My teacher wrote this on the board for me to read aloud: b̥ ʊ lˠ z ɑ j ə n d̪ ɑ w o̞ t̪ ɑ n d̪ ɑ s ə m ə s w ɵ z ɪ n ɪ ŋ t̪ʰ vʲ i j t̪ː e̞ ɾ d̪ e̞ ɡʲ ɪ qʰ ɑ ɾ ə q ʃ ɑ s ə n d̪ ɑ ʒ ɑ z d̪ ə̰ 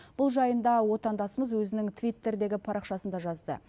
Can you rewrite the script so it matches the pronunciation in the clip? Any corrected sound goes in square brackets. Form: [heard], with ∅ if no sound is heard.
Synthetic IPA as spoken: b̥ ʊ lˠ [ʒ] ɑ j ə n d̪ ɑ w o̞ t̪ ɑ n d̪ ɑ s ə m ə [z] w ɵ z ɪ n ɪ ŋ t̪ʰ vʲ i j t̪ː e̞ ɾ d̪ e̞ ɡʲ ɪ [pʰ] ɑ ɾ [ɑ] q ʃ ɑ s ə n d̪ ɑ ʒ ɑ z d̪ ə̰